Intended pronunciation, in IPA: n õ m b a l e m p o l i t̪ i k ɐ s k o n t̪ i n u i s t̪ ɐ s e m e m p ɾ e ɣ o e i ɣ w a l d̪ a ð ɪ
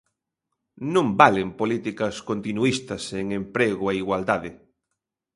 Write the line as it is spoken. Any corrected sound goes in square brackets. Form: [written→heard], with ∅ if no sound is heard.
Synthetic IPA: n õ m b a l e m p o l i t̪ i k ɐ s k o n t̪ i n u i s t̪ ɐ s e [m→ŋ] e m p ɾ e ɣ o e i ɣ w a l d̪ a ð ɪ